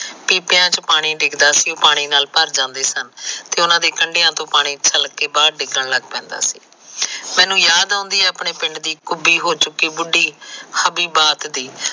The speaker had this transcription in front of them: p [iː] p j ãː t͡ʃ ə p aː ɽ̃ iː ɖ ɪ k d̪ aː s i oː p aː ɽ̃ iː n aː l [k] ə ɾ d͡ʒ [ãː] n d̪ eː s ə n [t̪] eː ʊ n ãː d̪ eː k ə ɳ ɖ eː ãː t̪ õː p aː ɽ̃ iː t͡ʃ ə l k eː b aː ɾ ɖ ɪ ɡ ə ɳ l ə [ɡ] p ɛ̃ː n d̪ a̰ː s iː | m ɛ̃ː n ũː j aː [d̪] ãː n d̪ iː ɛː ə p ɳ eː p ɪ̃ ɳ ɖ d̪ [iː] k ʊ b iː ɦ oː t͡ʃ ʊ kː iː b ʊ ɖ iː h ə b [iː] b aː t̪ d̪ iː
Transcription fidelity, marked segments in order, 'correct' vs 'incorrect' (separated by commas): correct, incorrect, correct, correct, correct, correct, correct, correct